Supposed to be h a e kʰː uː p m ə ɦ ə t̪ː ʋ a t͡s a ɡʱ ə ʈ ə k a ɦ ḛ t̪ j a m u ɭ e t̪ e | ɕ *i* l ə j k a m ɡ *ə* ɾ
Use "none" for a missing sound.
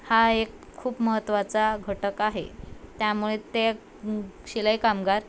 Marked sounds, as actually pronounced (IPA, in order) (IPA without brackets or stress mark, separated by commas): i, a